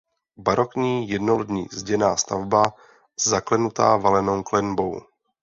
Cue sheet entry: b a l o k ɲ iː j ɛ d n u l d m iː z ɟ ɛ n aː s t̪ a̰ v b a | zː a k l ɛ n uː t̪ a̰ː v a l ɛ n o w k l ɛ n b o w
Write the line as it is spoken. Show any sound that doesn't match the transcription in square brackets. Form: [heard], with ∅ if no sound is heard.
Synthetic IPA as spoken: b a [ɾ] o k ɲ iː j ɛ d n [o] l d [ɲ] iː z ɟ ɛ n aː s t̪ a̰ v b a | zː a k l ɛ n [u] t̪ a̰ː v a l ɛ n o w k l ɛ n b o w